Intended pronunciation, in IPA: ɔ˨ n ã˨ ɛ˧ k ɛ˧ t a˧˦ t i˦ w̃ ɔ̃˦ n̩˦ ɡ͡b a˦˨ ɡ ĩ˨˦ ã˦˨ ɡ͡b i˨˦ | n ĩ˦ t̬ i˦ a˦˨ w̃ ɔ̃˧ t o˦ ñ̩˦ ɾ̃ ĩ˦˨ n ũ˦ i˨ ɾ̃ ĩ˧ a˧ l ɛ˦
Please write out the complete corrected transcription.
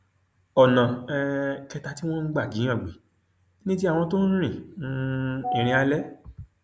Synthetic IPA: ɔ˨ n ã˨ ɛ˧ k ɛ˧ t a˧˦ t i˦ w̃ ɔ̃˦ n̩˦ ɡ͡b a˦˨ ɡ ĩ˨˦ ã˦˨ ɡ͡b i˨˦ | n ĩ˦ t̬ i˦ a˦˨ w̃ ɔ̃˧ t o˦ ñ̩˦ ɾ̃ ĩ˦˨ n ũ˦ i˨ ɾ̃ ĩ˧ a˧ l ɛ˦